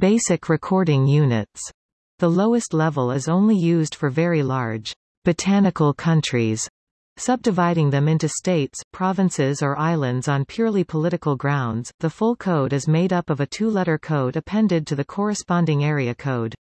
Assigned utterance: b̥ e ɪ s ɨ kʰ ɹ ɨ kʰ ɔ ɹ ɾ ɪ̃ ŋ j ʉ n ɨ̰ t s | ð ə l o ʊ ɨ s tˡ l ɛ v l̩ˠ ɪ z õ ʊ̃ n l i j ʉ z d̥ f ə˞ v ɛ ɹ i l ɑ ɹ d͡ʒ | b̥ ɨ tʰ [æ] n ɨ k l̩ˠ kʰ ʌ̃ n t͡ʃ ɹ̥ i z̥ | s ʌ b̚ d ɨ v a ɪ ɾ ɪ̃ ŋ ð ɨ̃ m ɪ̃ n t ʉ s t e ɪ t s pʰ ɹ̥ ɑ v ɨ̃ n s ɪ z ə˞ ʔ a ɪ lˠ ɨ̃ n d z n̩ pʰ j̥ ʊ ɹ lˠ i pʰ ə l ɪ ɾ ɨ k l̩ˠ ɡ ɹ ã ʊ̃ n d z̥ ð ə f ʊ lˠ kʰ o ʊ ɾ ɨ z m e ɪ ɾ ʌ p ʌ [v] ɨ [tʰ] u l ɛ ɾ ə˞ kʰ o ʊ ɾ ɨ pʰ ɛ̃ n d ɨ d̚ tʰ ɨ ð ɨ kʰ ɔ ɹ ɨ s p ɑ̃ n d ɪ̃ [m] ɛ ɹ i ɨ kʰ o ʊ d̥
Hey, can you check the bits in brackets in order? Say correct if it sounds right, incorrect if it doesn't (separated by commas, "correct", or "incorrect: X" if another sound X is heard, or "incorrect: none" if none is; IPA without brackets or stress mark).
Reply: correct, correct, correct, incorrect: ŋ